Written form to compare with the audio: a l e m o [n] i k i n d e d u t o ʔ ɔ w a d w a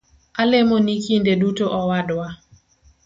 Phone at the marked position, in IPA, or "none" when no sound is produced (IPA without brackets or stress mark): n